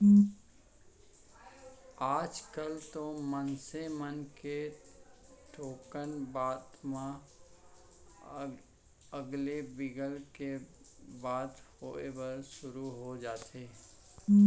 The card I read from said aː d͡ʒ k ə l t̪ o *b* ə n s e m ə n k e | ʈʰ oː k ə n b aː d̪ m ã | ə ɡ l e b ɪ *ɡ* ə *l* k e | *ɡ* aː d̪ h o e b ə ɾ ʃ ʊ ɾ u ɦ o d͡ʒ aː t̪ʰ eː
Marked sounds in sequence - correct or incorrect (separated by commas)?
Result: incorrect, correct, correct, incorrect